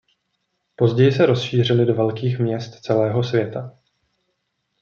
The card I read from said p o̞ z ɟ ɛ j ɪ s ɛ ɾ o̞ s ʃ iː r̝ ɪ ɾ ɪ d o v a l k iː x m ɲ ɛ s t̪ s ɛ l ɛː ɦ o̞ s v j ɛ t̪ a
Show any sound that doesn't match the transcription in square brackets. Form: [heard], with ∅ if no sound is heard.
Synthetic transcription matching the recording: p o̞ z ɟ ɛ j ɪ s ɛ ɾ o̞ s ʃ iː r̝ ɪ [l] ɪ d o v [ɛ] l k iː x m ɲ ɛ s t̪ [t͡s] ɛ l ɛː ɦ o̞ s v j ɛ t̪ a